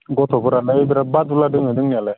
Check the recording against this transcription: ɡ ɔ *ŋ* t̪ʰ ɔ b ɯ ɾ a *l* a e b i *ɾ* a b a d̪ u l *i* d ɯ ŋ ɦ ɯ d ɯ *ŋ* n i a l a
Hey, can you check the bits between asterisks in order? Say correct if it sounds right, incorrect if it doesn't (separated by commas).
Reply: incorrect, correct, correct, incorrect, correct